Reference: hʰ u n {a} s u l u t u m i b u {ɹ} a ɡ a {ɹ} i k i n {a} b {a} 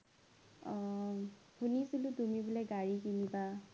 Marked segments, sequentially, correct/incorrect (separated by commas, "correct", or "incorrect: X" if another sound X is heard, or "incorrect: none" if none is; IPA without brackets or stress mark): incorrect: i, incorrect: l, correct, incorrect: i, correct